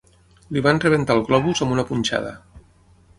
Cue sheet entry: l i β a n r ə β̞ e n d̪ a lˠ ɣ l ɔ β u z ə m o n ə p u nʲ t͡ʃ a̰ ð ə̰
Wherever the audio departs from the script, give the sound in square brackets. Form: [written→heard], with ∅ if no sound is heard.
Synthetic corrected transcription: l i β a n r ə β̞ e n [d̪→t̪] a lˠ ɣ l ɔ β u z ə m [o→u] n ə p u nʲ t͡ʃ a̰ ð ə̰

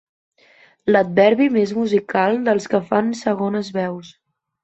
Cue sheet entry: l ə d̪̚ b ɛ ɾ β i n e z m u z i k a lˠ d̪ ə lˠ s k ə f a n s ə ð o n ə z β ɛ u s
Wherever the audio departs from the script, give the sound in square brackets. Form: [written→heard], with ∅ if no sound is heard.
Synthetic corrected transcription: l ə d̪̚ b ɛ ɾ β i [n→m] e z m u z i k a lˠ d̪ ə lˠ s k ə f a n s ə [ð→ɣ] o n ə z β ɛ [u→w] s

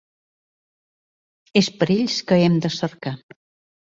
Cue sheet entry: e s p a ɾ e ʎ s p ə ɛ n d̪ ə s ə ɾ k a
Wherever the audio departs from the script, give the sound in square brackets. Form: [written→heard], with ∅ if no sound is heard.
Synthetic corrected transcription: e s p [a→ə] ɾ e ʎ s [p→k] ə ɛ [n→m] d̪ ə s ə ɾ k a

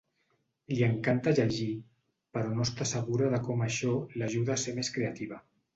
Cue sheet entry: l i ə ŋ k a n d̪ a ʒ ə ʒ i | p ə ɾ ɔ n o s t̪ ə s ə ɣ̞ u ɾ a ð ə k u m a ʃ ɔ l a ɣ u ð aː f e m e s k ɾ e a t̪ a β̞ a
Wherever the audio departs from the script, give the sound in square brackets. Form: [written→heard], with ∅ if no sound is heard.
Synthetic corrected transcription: l i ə ŋ k a n [d̪→t̪] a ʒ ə ʒ i | p ə ɾ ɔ n o s t̪ [ə→a] s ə ɣ̞ u ɾ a ð ə k [u→ɔ] m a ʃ ɔ l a [ɣ→ʒ] u ð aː [f→s] e m e s k ɾ e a t̪ [a→i] β̞ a

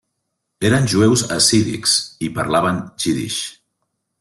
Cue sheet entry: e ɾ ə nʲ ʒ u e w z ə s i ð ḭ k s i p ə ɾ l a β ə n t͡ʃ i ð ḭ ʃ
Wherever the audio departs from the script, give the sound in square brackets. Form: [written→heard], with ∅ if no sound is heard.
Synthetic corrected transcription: e ɾ ə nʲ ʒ u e w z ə s i ð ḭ k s i p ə ɾ l a β ə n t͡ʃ i ð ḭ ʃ

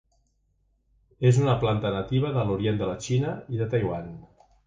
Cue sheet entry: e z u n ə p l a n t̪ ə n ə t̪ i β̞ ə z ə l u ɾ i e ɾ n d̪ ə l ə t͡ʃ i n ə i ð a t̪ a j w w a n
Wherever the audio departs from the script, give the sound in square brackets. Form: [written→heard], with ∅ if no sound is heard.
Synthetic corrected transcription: e z u n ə p l a n t̪ ə n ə t̪ i β̞ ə [z→ð] ə l u ɾ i e [ɾ→∅] n d̪ ə l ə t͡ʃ i n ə i ð [a→ə] t̪ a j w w a n

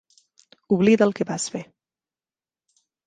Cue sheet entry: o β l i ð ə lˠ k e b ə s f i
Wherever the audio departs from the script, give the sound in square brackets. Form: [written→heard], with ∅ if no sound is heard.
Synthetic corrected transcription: [o→u] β l i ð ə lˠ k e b [ə→a] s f [i→e]

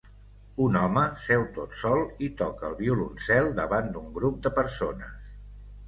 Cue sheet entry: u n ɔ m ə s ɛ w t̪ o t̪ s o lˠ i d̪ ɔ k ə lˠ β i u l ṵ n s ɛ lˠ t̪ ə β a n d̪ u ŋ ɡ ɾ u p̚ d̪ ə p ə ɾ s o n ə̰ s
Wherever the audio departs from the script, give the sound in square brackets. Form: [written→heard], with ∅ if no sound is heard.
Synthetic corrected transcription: u n ɔ m ə s ɛ w t̪ o t̪ s [o→ɔ] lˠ i [d̪→t̪] ɔ k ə lˠ β i u l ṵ n s ɛ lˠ [t̪→d̪] ə β a n d̪ u ŋ ɡ ɾ u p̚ d̪ ə p ə ɾ s o n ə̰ s

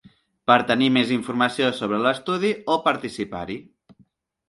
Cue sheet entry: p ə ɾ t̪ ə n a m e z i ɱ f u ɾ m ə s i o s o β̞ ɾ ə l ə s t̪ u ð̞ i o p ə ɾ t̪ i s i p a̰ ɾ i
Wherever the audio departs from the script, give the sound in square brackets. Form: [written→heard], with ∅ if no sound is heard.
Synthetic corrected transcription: p ə ɾ t̪ ə n [a→i] m e z i ɱ f u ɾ m ə s i o s o β̞ ɾ ə l ə s t̪ u ð̞ i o p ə ɾ t̪ i s i p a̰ ɾ i

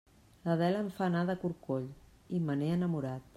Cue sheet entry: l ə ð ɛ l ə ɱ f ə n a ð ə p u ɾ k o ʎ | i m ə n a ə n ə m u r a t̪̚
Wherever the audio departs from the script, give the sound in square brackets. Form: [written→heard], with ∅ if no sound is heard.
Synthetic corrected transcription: l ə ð ɛ l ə ɱ f [ə→a] n a ð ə [p→k] u ɾ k o ʎ | i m ə n [a→e] ə n ə m u [r→ɾ] a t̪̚

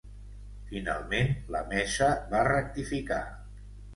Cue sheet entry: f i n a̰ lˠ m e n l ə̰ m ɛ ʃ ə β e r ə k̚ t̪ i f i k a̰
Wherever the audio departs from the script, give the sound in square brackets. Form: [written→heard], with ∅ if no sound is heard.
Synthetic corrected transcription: f i n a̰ lˠ m e n l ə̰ m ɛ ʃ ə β [e→a] r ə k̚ t̪ i f i k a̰

